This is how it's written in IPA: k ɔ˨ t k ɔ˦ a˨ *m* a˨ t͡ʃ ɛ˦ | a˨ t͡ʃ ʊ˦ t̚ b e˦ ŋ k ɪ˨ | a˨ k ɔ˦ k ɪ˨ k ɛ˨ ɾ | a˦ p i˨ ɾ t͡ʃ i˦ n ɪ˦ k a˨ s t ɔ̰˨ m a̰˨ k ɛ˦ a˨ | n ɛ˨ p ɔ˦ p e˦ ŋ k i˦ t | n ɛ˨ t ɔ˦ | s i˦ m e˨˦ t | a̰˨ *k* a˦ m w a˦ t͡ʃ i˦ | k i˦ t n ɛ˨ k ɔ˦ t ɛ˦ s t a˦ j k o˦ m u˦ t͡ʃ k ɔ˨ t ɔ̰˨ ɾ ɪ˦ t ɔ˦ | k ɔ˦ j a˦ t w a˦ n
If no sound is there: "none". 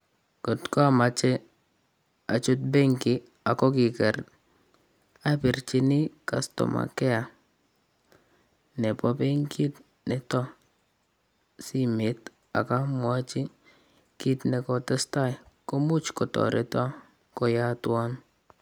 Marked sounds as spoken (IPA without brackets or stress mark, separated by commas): m, k